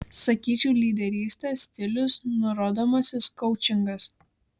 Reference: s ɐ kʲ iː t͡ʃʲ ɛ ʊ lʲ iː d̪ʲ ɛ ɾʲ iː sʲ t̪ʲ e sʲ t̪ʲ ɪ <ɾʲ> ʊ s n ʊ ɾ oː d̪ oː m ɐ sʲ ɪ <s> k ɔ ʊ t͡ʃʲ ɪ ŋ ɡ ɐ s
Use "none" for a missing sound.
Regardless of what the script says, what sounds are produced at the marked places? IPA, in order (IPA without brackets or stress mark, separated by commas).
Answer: lʲ, s